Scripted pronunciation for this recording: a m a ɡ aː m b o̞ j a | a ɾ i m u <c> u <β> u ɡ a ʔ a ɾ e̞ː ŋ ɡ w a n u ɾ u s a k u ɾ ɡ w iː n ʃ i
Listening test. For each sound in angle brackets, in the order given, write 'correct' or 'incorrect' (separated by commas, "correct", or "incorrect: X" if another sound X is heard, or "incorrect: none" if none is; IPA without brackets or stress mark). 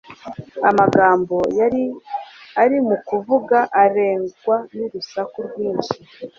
incorrect: k, incorrect: v